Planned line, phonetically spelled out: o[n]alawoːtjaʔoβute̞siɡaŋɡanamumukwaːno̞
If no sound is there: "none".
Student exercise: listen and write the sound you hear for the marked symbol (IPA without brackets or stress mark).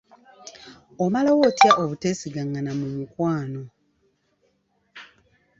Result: m